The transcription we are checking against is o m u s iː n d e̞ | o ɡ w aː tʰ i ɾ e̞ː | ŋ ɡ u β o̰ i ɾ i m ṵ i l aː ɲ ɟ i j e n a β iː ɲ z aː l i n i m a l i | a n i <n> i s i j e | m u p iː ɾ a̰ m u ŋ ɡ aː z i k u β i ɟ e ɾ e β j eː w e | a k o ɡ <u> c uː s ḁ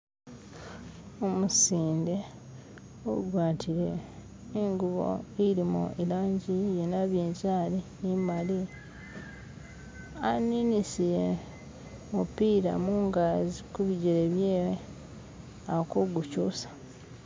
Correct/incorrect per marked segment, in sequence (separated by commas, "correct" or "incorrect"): correct, correct